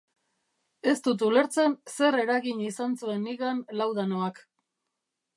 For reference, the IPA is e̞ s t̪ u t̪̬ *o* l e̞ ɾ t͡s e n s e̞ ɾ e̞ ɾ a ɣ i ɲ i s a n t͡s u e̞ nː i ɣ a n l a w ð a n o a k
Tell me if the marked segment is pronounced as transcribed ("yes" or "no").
no